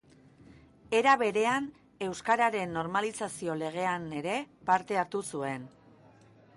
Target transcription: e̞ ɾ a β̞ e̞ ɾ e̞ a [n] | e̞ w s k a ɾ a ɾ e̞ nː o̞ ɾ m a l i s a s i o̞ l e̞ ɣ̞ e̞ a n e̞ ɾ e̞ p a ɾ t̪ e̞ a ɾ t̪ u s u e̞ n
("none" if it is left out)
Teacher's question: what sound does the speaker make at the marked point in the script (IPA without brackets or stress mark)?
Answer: n